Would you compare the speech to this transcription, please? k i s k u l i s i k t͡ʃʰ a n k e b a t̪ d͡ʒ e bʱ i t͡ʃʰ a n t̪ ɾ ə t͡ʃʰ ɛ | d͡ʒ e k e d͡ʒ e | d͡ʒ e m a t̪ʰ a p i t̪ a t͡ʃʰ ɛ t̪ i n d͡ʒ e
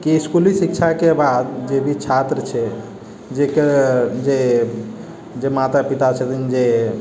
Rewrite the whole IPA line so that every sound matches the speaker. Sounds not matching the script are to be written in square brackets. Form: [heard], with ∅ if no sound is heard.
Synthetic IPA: k i s k u l i s i k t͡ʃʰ a [∅] k e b a [d̪] d͡ʒ e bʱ i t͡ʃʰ a [∅] t̪ ɾ ə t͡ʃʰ ɛ | d͡ʒ e k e d͡ʒ e | d͡ʒ e m a [t̪] a p i t̪ a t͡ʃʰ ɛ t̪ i n d͡ʒ e